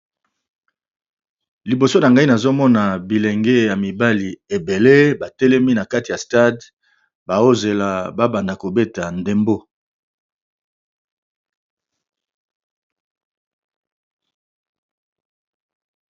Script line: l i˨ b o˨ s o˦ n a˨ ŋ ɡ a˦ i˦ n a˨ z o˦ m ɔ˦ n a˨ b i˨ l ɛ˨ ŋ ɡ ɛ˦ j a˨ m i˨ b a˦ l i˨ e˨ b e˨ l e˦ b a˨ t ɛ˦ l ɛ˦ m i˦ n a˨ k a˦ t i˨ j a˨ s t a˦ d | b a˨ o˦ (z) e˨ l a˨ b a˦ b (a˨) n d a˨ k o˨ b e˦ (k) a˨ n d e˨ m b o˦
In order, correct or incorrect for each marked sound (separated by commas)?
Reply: correct, correct, incorrect